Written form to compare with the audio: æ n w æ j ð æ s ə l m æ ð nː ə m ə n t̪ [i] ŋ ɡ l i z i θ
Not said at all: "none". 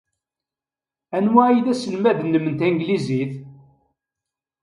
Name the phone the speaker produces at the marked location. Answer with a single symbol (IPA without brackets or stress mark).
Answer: æ